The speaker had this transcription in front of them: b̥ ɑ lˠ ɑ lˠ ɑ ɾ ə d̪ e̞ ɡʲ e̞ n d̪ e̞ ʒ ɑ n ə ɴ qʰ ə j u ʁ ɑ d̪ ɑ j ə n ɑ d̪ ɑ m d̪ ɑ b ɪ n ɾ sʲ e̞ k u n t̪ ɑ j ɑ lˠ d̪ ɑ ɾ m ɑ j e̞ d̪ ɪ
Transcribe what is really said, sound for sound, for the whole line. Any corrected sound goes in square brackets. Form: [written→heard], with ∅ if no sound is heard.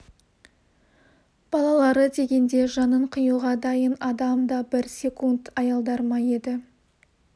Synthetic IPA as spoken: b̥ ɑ lˠ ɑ lˠ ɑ ɾ ə d̪ e̞ ɡʲ e̞ n d̪ e̞ ʒ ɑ n ə ɴ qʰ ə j u ʁ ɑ d̪ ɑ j ə n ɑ d̪ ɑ m d̪ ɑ b ɪ [n→∅] ɾ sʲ e̞ k u n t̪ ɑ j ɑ lˠ d̪ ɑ ɾ m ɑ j e̞ d̪ ɪ